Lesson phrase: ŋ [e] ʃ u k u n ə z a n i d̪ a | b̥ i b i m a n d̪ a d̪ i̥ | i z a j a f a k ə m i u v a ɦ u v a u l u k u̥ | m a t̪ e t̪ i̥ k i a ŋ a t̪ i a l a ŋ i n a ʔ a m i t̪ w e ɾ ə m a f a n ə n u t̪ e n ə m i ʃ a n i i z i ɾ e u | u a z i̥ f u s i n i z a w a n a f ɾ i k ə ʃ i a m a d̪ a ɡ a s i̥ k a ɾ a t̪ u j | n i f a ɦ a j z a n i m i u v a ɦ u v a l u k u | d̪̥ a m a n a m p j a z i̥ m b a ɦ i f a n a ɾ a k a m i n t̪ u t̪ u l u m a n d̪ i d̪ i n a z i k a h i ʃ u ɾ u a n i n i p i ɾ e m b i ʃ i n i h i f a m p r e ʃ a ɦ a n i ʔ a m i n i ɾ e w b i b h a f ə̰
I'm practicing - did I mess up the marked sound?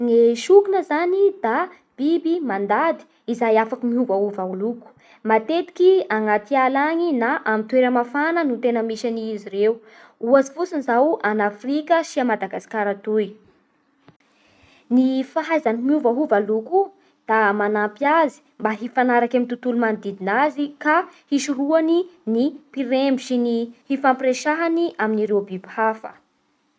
no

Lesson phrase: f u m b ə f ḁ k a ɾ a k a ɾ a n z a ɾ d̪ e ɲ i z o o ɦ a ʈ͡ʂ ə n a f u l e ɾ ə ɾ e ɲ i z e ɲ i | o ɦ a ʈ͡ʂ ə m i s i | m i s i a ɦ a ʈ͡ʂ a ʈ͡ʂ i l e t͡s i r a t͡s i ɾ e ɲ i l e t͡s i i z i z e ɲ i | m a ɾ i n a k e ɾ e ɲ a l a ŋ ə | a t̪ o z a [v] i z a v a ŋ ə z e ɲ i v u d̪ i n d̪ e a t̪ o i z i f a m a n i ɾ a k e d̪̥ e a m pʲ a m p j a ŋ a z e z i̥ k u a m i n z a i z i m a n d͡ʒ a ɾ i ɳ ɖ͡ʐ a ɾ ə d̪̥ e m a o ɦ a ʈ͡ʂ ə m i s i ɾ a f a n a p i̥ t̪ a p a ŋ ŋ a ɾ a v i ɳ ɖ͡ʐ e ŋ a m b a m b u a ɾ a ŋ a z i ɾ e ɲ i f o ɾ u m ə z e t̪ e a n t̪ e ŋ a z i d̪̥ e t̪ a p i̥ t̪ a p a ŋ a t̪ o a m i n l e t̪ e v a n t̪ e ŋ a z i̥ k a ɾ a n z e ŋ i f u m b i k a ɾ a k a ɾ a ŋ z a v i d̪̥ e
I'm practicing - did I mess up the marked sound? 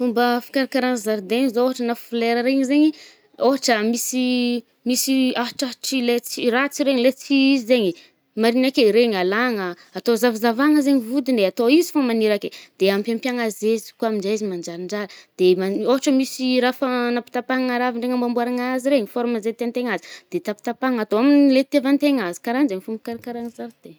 no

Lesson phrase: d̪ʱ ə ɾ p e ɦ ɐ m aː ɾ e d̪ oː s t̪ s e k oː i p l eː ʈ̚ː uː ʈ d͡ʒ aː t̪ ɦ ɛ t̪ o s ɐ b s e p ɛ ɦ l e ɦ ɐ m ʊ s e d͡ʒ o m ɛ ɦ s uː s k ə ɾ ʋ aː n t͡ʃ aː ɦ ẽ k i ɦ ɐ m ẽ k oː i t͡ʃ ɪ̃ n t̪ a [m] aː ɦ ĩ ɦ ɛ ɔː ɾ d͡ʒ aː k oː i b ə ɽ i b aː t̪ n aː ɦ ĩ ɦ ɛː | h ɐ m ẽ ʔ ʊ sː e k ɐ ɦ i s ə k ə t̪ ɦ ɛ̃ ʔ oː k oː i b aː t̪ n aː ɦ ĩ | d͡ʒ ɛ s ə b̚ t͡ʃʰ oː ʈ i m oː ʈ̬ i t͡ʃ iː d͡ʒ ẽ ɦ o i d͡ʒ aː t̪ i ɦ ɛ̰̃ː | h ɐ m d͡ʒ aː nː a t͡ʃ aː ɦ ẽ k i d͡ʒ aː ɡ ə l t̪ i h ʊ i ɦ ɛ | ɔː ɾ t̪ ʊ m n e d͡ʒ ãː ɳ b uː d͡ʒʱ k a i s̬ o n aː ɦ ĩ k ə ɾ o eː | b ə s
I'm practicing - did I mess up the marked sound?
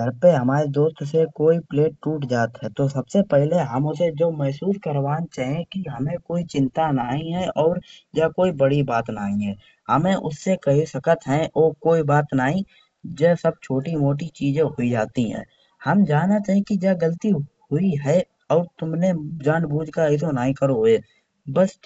yes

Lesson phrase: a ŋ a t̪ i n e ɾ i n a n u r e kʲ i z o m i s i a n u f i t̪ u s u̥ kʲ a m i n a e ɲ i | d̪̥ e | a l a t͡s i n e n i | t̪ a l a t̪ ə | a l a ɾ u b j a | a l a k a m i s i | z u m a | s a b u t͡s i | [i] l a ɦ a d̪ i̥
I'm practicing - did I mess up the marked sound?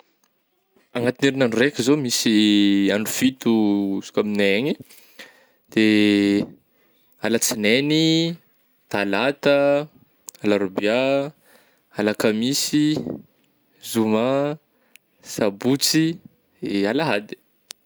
yes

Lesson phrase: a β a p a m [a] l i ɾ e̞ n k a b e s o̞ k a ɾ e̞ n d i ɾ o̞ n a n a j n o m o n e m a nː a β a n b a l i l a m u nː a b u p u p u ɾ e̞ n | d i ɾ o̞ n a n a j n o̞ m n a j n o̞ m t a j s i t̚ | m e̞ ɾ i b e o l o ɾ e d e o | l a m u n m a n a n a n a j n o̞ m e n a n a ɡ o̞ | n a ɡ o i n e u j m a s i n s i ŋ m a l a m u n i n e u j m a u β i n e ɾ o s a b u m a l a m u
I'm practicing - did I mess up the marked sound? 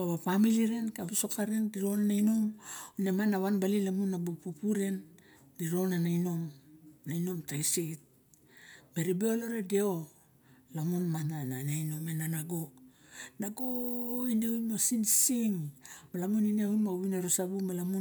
yes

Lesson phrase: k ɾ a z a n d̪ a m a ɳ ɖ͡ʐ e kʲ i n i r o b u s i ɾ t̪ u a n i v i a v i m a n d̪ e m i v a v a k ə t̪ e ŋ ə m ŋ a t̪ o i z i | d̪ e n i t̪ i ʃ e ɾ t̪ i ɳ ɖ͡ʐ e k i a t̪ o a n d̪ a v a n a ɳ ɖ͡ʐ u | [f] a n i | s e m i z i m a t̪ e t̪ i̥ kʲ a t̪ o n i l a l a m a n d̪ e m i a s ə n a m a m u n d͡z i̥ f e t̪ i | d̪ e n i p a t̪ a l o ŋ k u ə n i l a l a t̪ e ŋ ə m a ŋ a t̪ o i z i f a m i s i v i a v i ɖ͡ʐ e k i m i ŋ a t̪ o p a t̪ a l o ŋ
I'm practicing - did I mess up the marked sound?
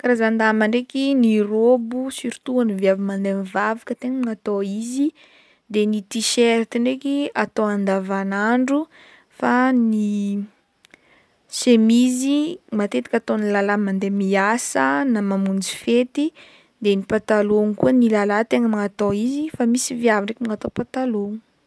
no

